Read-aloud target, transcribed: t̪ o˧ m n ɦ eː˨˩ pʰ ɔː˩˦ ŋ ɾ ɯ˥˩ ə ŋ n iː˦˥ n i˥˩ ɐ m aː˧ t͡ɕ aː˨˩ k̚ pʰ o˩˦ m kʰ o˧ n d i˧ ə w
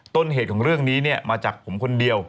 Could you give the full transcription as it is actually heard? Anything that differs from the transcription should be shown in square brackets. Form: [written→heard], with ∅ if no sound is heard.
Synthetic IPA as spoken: t̪ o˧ [m→∅] n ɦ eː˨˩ [pʰ→kʰ] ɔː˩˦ ŋ ɾ ɯ˥˩ ə ŋ n iː˦˥ n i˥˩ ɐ m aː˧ t͡ɕ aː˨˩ k̚ pʰ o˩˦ m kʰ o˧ n d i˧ ə w